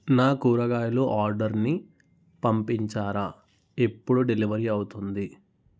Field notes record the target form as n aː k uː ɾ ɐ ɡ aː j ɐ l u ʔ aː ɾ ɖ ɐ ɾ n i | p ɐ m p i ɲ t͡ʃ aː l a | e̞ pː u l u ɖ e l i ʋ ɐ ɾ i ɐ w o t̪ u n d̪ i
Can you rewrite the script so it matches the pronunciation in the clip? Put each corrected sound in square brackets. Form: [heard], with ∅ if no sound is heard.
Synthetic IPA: n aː k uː ɾ ɐ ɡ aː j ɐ l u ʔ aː ɾ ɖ ɐ ɾ n i | p ɐ m p i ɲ t͡ʃ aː [ɾ] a | e̞ pː u [ɽ] u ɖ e l i ʋ ɐ ɾ i ɐ w [u] t̪ u n d̪ i